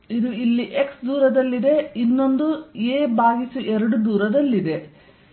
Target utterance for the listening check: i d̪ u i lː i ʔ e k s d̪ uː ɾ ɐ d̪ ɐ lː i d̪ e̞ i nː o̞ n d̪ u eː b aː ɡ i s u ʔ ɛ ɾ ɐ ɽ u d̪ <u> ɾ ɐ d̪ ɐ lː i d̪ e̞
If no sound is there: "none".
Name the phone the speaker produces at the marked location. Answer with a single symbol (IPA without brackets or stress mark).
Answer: uː